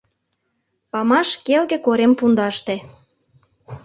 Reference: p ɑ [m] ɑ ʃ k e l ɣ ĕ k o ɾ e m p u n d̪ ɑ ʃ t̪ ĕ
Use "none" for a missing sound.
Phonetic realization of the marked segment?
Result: m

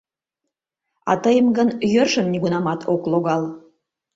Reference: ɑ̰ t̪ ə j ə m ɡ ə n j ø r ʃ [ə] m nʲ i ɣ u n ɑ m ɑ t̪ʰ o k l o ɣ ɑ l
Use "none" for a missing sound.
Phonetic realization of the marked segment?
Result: ə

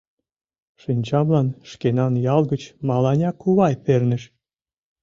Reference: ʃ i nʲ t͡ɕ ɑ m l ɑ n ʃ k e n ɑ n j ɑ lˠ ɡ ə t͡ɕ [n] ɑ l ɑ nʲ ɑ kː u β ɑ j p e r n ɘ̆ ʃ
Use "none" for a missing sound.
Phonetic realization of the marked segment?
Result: m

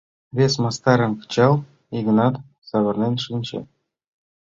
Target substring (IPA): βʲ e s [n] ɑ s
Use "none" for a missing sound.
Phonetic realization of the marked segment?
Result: m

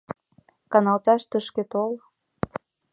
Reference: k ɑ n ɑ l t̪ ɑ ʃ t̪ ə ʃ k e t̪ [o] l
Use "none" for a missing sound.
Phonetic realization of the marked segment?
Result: o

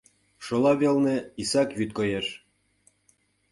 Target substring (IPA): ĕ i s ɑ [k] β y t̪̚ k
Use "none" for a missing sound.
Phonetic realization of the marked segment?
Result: k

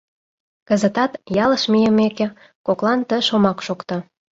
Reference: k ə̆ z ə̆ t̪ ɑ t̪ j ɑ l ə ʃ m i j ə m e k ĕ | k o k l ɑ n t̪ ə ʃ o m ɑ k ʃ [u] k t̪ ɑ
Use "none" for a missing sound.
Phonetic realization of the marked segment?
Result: o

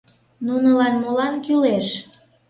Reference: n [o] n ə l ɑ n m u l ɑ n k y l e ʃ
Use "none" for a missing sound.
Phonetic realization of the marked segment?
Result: u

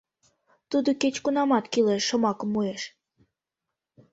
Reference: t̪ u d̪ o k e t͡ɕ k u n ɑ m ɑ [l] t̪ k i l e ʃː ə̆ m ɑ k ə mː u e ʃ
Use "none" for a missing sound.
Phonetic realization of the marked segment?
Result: none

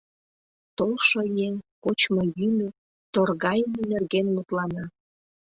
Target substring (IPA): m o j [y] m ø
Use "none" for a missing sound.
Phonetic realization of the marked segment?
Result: y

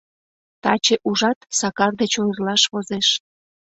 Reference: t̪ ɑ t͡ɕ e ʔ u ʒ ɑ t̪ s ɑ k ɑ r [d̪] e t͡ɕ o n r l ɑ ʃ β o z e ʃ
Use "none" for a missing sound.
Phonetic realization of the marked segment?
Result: d̪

